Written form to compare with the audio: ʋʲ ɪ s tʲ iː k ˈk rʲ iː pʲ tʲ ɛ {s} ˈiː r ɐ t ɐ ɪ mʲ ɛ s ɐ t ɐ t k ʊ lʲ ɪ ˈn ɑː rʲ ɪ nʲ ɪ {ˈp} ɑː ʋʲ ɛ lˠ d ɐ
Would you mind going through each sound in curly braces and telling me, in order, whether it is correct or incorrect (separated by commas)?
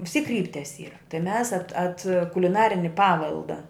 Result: correct, correct